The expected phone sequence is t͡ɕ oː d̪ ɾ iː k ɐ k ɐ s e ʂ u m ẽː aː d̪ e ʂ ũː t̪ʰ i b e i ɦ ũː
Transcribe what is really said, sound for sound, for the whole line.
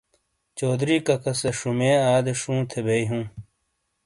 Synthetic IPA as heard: t͡ɕ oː d̪ ɾ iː k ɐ k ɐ s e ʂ u m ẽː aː d̪ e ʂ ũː t̪ʰ e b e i ɦ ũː

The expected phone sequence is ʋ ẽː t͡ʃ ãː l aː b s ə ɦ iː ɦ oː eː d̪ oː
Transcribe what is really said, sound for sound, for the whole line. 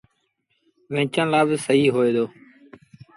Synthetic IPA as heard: ʋ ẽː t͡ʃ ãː l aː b s ə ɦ iː ɦ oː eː d̪ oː

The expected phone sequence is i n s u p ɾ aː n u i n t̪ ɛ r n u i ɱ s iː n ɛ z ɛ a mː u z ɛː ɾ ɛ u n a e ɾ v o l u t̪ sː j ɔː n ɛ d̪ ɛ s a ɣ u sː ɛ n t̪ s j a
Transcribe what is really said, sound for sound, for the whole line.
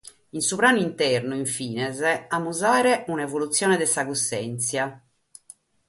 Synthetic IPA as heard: i n s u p ɾ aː n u i n t̪ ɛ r n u i ɱ f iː n ɛ z ɛ a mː u z aː ɾ ɛ u n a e v o l u t̪ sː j ɔː n ɛ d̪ ɛ s a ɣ u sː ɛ n t̪ s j a

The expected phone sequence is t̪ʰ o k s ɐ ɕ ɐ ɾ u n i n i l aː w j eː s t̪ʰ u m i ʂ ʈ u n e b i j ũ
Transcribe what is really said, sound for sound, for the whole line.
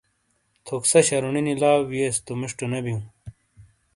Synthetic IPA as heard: t̪ʰ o k s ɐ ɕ ɐ ɾ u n i n i l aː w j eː s t̪ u m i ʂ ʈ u n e b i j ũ

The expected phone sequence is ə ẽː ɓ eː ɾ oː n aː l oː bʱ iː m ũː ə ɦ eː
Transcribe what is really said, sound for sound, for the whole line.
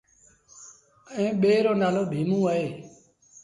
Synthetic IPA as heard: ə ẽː ɓ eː ɾ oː n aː l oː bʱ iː m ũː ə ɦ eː

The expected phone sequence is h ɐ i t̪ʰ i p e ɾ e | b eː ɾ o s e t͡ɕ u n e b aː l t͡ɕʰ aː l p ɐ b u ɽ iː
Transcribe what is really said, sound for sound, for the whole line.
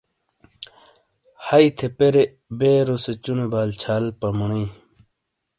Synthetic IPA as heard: h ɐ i t̪ʰ e p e ɾ e | b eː ɾ o s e t͡ɕ u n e b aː l t͡ɕʰ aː l p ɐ m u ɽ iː

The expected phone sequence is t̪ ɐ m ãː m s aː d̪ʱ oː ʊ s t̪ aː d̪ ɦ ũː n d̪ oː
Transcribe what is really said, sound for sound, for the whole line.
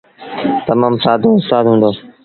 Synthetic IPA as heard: t̪ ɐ m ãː m s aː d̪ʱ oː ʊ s t̪ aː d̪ ɦ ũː n d̪ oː

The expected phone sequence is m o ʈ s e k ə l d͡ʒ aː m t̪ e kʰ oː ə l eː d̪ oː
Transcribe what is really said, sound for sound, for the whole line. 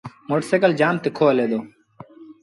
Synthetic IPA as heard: m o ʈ s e k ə l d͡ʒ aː m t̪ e kʰ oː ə l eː d̪ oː

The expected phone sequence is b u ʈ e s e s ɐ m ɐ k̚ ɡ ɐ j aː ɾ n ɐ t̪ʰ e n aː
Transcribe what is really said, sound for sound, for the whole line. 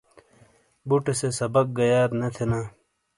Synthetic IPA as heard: b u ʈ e s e s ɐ b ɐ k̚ ɡ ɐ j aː ɾ n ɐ t̪ʰ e n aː

